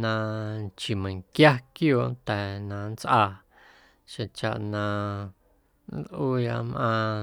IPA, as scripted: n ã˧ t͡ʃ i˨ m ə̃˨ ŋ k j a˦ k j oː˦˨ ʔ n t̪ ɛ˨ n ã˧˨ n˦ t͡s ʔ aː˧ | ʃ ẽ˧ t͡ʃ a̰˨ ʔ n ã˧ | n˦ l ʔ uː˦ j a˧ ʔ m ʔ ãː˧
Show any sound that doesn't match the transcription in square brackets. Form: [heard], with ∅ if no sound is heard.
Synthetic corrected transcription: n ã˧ t͡ʃ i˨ m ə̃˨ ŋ k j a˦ k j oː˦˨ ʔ n t̪ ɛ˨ n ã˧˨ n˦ t͡s ʔ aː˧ | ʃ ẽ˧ t͡ʃ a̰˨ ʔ n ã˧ | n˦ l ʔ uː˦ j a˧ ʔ m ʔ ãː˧